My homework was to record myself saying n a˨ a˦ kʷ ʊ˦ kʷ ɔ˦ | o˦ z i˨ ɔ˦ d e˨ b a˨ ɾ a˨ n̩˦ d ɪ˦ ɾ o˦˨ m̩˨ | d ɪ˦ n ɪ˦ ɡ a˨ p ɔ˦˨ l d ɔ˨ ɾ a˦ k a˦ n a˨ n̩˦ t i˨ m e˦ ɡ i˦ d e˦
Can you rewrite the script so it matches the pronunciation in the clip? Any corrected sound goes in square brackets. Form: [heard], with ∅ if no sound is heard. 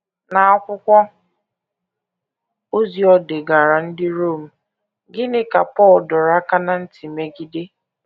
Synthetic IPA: n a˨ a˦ kʷ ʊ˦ kʷ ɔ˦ | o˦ z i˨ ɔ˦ d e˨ [ɡ] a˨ ɾ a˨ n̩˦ d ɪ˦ ɾ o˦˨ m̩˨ | [ɡ] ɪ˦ n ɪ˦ [k] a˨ p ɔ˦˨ l d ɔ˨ ɾ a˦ k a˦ n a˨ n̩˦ t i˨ m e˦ ɡ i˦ d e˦